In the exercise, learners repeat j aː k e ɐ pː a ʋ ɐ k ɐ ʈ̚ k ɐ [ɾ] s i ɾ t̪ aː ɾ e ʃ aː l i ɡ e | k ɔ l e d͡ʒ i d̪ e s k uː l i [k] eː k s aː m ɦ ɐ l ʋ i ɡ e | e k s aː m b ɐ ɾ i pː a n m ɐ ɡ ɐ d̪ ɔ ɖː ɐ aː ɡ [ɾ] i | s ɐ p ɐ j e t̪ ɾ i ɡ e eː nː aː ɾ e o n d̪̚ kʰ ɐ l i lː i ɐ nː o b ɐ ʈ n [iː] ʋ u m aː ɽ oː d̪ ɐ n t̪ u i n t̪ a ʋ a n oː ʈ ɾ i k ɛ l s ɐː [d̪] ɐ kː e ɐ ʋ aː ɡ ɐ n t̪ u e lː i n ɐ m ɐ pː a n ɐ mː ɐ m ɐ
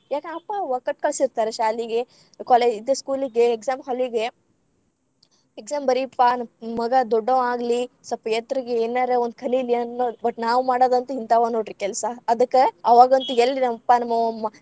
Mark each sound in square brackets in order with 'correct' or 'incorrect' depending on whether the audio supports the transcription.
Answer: incorrect: ɭ, incorrect: ɡ, incorrect: l, incorrect: aː, correct

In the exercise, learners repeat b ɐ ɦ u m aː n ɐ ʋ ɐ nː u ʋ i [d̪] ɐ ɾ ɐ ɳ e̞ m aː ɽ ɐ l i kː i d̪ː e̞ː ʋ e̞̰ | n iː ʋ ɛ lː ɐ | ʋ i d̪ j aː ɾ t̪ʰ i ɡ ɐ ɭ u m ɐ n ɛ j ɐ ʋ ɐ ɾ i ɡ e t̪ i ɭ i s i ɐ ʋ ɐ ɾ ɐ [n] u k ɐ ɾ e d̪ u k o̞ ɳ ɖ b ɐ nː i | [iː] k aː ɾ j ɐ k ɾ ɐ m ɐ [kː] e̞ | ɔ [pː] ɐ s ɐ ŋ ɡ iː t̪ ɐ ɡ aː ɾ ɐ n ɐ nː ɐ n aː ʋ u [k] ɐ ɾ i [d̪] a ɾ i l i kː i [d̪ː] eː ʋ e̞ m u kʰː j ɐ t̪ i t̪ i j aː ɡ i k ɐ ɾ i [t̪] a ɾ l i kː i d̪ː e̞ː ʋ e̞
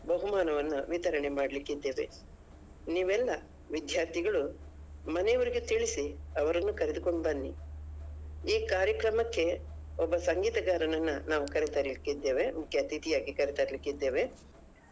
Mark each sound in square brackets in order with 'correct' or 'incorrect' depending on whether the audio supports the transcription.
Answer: incorrect: t̪, incorrect: nː, correct, correct, incorrect: bː, correct, incorrect: t̪, correct, correct

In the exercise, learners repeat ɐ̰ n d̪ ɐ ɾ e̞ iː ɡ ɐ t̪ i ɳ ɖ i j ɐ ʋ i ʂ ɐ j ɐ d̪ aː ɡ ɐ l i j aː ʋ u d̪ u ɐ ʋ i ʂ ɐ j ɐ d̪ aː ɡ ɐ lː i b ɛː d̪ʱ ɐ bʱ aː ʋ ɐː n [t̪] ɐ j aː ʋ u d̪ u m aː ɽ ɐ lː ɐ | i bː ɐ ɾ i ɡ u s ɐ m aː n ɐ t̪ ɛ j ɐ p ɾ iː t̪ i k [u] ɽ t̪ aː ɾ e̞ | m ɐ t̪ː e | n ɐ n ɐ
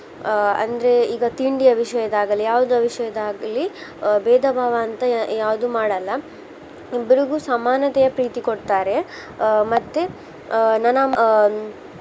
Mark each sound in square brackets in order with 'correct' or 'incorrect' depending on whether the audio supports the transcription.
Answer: correct, incorrect: o

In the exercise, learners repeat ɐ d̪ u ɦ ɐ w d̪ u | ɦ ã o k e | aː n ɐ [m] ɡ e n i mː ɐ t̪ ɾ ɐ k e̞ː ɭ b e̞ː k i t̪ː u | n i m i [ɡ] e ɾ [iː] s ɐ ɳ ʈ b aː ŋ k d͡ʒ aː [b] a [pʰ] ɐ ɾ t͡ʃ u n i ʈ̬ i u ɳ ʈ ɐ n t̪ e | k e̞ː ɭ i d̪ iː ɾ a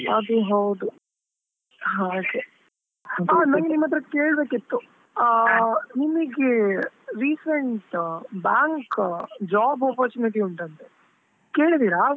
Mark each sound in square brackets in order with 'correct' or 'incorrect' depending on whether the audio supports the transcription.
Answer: incorrect: ŋ, correct, correct, correct, incorrect: p

